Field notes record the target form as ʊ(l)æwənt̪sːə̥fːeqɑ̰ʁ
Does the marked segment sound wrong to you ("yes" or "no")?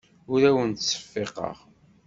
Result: yes